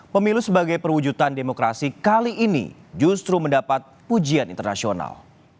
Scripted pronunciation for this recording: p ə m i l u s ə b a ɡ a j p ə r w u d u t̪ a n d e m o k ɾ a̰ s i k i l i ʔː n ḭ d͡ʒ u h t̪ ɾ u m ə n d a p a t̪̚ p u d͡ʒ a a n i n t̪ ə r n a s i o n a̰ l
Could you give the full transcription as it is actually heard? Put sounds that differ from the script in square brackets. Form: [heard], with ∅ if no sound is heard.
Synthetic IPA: p ə m i l u s ə b a ɡ a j p ə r w u [d͡ʒ] u t̪ a n d e m o k ɾ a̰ s i k [a] l i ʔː n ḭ d͡ʒ u [s] t̪ ɾ u m ə n d a p a t̪̚ p u d͡ʒ [i] a n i n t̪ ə r n a s i o n a̰ l